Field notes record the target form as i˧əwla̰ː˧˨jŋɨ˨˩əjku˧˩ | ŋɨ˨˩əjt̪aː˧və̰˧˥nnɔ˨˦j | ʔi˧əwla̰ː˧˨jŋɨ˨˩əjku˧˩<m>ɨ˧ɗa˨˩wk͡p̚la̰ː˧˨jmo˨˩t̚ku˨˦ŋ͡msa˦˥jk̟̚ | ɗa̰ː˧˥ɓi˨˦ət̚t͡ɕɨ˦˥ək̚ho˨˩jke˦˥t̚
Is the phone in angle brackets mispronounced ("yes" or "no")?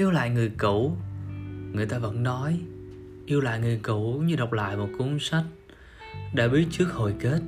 yes